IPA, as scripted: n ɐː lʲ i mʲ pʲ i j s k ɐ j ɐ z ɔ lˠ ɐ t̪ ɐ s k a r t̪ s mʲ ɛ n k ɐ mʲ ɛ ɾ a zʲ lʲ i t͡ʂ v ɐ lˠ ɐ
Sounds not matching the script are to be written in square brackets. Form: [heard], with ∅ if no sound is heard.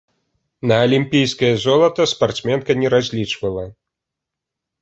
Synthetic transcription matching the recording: n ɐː lʲ i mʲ pʲ i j s k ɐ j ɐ z ɔ lˠ ɐ t̪ ɐ s [p] a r t̪ s mʲ ɛ n k ɐ [nʲ] ɛ ɾ a zʲ lʲ i t͡ʂ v ɐ lˠ ɐ